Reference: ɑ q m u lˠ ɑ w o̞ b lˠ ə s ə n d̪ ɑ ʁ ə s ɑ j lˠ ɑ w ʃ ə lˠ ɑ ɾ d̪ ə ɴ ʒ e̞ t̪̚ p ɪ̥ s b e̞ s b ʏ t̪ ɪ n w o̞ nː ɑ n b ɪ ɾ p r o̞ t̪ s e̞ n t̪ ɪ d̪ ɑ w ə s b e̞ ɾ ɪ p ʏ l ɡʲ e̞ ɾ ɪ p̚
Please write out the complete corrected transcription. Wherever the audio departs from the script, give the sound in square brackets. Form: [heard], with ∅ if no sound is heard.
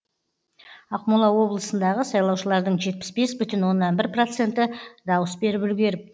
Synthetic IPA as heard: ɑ q m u lˠ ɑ w o̞ b lˠ ə s ə n d̪ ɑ ʁ ə s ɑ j lˠ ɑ w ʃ ə lˠ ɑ ɾ d̪ ə ɴ ʒ e̞ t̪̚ p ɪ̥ s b e̞ s b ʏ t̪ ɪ n w o̞ nː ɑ n b ɪ ɾ p r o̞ t̪ s e̞ n t̪ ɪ d̪ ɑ w ə s b e̞ ɾ ɪ p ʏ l ɡʲ e̞ ɾ ɪ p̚